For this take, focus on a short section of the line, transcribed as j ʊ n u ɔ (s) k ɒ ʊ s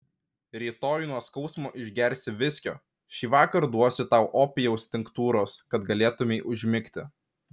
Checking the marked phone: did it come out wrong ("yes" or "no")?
no